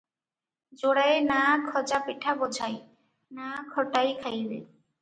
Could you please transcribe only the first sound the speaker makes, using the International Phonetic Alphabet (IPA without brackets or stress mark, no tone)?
d͡ʑ